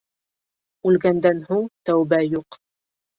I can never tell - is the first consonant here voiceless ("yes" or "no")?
no